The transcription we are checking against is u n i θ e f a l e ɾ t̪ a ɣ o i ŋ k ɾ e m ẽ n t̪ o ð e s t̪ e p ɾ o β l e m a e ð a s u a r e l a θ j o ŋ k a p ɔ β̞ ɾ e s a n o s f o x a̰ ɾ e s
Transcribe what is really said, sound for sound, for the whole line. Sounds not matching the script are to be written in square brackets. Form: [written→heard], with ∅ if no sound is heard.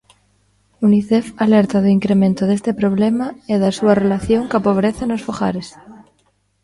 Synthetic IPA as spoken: u n i θ e f a l e ɾ t̪ a [ɣ→ð] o i ŋ k ɾ e m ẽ n t̪ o ð e s t̪ e p ɾ o β l e m a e ð a s u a r e l a θ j o ŋ k a p [ɔ→o] β̞ ɾ e [s→θ] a n o s f o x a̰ ɾ e s